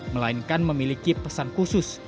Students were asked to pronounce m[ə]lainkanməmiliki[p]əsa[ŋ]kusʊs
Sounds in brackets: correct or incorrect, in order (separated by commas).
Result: correct, correct, incorrect